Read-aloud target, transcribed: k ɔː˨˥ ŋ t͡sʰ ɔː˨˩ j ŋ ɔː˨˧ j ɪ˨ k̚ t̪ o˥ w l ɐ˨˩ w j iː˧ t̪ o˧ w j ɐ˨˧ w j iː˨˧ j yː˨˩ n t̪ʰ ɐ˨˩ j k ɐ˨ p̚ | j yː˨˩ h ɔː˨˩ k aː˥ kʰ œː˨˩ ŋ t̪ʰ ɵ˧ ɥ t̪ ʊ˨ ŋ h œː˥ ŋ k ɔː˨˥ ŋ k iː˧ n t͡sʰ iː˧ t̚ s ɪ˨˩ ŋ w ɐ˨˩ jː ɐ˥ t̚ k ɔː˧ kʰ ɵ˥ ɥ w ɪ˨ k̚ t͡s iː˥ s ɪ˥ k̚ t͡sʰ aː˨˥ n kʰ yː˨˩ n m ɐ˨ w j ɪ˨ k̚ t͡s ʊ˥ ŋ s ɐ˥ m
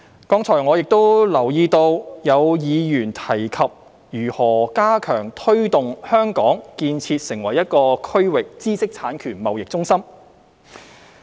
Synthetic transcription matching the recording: k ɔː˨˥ ŋ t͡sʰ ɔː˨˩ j ŋ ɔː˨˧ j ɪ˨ k̚ t̪ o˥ w l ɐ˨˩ w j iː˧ t̪ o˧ w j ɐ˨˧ w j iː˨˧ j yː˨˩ n t̪ʰ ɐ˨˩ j kʰ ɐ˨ p̚ | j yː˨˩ h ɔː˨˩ k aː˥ kʰ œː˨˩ ŋ t̪ʰ ɵ˥ ɥ t̪ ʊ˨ ŋ h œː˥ ŋ k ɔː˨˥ ŋ k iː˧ n t͡sʰ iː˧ t̚ s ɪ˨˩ ŋ w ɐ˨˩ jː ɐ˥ t̚ k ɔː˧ kʰ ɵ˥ ɥ w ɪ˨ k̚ t͡s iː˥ s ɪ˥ k̚ t͡sʰ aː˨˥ n kʰ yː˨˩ n m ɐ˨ w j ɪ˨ k̚ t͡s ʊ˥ ŋ s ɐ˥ m